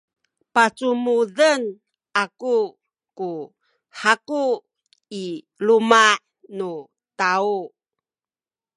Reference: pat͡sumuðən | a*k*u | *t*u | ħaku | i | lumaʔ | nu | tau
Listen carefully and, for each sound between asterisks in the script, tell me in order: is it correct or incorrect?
correct, incorrect: k

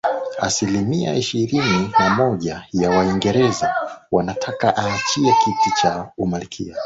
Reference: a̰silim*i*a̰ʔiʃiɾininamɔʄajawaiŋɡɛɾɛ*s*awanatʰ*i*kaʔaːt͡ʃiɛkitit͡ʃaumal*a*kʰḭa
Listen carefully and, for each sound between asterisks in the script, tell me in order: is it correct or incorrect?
correct, incorrect: z, incorrect: a, incorrect: i

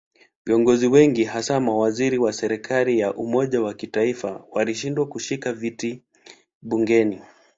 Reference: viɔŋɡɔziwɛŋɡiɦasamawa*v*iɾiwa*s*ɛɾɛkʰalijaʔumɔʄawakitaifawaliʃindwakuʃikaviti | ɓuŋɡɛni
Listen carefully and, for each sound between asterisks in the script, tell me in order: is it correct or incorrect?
incorrect: z, correct

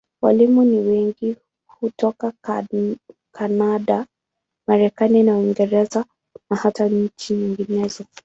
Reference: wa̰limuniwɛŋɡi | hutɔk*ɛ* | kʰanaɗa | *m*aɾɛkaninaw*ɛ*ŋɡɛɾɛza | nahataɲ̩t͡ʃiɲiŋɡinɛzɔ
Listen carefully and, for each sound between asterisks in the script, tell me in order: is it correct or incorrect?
incorrect: a, correct, incorrect: i

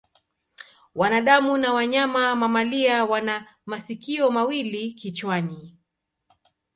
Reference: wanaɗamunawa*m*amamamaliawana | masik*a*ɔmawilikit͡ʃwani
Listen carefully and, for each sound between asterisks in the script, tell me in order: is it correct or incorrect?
incorrect: ɲ, incorrect: i

